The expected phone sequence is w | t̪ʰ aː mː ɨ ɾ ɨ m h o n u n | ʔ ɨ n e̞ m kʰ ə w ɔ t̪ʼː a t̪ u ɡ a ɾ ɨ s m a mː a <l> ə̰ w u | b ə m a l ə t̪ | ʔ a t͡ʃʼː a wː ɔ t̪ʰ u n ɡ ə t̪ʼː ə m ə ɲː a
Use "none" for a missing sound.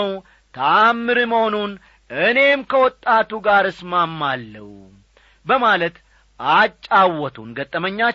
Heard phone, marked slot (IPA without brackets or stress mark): lː